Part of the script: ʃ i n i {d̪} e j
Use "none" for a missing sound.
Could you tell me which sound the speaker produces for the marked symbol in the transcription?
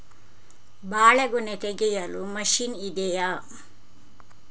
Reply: d̪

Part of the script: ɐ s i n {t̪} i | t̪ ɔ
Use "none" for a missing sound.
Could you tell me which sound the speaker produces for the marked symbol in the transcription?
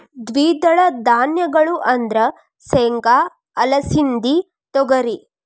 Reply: d̪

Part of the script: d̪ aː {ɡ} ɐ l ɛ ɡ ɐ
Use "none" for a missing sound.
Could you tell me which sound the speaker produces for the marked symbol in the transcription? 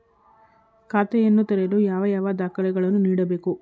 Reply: k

